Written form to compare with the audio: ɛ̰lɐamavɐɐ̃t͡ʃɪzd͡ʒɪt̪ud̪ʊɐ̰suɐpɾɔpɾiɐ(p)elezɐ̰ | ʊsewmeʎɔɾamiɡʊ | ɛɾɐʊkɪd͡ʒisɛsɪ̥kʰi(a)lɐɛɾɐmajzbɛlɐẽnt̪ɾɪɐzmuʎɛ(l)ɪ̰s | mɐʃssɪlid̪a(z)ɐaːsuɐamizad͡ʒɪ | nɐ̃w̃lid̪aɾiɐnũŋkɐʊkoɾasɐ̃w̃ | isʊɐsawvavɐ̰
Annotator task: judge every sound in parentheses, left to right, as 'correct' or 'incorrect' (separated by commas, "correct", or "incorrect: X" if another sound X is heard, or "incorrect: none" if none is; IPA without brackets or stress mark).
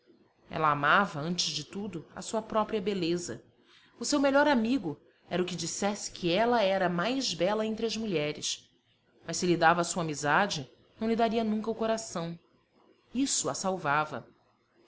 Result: incorrect: b, incorrect: ɛ, incorrect: ɾ, incorrect: v